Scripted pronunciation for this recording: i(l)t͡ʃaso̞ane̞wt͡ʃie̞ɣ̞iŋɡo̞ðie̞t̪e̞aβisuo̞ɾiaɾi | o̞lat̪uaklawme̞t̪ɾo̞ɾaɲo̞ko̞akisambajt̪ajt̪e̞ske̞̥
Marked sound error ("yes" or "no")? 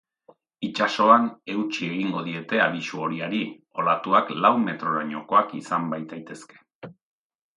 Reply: yes